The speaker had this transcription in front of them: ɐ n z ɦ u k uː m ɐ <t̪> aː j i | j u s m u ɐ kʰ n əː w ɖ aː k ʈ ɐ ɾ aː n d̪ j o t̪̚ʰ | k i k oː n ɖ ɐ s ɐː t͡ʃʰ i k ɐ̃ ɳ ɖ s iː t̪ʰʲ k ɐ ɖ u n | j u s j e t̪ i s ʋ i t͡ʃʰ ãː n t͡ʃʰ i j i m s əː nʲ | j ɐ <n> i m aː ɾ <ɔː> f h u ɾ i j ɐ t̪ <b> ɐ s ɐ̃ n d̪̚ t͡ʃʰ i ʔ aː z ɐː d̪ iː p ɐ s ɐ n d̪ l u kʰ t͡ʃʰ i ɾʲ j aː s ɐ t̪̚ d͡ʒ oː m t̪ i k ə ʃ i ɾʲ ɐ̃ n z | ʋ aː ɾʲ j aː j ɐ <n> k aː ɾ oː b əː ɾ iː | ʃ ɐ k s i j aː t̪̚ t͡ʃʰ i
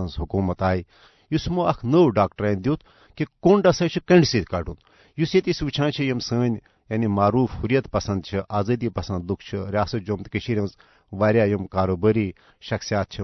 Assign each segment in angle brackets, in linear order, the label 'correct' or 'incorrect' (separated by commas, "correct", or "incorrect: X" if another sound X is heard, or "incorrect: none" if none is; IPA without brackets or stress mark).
correct, correct, incorrect: uː, incorrect: p, incorrect: m